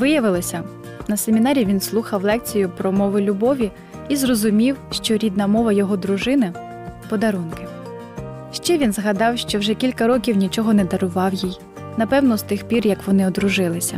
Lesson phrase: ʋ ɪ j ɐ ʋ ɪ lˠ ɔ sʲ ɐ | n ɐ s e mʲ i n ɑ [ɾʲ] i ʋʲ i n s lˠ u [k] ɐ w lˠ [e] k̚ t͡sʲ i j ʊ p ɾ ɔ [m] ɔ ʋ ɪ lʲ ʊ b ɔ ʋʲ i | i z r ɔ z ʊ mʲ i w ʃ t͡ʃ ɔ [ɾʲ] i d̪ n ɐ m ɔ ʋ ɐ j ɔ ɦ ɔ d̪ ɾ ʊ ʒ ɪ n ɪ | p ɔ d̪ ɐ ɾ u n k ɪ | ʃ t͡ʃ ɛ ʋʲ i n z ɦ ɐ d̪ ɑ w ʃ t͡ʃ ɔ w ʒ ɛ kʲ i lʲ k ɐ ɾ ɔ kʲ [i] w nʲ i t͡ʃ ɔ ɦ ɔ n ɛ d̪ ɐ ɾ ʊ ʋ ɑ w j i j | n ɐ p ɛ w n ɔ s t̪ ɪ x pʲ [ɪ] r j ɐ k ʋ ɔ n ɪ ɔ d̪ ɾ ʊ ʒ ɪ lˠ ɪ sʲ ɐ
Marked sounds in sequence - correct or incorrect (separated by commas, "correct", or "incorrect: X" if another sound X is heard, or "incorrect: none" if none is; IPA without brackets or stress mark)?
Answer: correct, incorrect: x, incorrect: ɛ, correct, correct, correct, incorrect: i